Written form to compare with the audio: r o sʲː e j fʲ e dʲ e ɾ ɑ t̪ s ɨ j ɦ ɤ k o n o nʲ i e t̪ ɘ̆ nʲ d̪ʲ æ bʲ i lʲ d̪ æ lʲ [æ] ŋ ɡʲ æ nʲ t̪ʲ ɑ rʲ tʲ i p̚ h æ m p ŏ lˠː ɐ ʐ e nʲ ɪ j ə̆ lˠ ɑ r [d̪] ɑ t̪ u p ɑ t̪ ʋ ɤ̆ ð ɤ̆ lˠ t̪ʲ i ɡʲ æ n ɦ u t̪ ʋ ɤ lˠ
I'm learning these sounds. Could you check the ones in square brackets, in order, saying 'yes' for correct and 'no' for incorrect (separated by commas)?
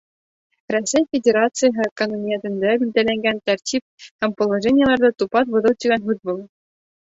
yes, yes